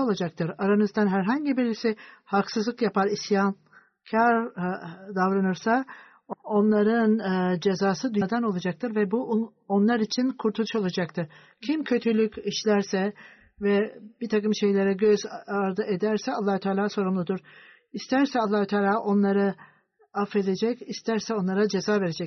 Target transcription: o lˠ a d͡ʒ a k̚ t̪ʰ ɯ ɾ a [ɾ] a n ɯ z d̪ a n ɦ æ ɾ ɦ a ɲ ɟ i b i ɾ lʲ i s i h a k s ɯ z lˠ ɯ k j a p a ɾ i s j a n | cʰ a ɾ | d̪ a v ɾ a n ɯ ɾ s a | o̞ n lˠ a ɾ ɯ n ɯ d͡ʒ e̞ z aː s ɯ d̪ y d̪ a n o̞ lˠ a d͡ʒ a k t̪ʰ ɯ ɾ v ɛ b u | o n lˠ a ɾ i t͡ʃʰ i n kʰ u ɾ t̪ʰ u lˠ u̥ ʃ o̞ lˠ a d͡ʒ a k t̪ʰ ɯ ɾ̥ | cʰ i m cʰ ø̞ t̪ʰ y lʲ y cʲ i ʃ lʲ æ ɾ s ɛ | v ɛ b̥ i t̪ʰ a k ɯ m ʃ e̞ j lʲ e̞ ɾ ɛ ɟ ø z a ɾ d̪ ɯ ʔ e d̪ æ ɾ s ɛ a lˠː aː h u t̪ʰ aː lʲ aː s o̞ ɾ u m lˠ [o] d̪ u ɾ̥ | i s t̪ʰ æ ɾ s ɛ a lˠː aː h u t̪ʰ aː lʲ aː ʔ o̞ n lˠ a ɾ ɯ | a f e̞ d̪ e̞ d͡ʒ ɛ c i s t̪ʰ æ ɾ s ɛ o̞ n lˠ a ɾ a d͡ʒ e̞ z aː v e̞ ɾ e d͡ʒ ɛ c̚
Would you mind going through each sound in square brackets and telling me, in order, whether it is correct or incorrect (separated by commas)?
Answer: correct, incorrect